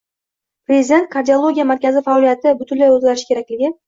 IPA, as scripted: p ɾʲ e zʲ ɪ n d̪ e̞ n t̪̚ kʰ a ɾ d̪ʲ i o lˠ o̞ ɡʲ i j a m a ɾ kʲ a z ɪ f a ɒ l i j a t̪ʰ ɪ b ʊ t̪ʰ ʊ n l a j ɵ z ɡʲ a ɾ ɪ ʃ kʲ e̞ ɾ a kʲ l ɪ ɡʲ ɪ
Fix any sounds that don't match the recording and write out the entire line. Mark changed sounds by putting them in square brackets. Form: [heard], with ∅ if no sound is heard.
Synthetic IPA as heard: p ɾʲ e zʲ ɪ [∅] d̪ e̞ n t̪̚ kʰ a ɾ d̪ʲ i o lˠ o̞ ɡʲ i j a m a ɾ kʲ a z ɪ f a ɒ l i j a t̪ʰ ɪ b ʊ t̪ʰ ʊ n l a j ɵ z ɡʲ a ɾ ɪ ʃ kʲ e̞ ɾ a kʲ l ɪ ɡʲ ɪ